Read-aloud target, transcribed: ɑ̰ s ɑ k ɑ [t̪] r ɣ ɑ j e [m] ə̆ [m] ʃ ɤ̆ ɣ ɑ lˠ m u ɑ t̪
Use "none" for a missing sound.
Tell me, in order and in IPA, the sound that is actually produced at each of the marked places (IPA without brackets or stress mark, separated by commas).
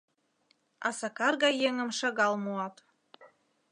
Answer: none, ŋ, m